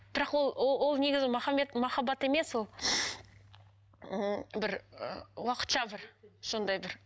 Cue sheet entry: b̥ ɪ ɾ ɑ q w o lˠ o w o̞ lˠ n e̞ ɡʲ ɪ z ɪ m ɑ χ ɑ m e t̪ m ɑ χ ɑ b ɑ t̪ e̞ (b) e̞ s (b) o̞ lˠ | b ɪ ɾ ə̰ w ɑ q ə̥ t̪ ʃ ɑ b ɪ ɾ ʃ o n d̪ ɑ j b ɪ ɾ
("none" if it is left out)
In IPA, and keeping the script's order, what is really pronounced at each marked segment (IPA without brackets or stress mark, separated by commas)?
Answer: m, w